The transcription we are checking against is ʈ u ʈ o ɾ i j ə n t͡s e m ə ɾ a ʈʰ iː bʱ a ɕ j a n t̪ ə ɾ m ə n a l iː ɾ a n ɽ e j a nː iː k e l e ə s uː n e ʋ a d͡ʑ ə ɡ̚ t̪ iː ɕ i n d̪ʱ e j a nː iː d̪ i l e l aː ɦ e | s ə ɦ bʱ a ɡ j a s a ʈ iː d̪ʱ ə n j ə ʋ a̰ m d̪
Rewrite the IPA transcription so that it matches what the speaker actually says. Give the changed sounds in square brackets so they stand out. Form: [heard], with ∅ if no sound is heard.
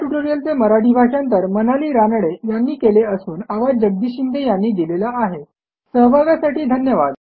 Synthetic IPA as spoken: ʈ u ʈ o ɾ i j ə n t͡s e m ə ɾ a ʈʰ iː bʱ a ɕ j a n t̪ ə ɾ m ə n a l iː ɾ a n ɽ e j a nː iː k e l e ə s uː n [a] ʋ a d͡ʑ ə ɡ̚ [d̪] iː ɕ i n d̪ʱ e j a nː iː d̪ i l e l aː ɦ e | s ə ɦ bʱ a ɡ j a s a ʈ iː d̪ʱ ə n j ə ʋ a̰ [∅] d̪